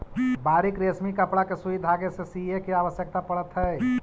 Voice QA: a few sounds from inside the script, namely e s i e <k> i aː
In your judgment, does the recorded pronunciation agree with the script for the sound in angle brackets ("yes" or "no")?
yes